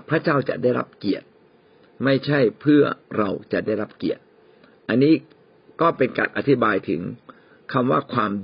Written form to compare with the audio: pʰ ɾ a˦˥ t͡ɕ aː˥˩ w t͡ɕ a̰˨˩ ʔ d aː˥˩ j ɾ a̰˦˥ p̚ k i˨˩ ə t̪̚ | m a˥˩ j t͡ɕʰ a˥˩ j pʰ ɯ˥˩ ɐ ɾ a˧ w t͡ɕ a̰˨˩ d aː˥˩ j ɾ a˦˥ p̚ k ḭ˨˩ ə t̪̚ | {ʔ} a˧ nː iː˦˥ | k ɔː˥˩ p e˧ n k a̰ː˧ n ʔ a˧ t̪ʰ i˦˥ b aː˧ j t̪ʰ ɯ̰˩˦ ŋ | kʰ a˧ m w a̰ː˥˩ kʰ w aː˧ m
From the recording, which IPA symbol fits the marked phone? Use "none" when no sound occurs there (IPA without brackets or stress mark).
ʔ